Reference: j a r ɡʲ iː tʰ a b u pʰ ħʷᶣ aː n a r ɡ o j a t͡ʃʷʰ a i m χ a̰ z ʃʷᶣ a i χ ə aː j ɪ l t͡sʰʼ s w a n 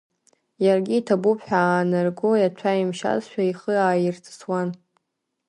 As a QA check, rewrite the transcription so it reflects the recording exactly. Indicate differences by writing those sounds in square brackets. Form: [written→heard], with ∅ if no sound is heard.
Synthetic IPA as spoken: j a r ɡʲ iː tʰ a b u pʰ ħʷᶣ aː n a r ɡ o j a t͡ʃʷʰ a i m [χ→ʃ] a̰ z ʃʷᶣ a i χ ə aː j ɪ [l→r] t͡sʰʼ s w a n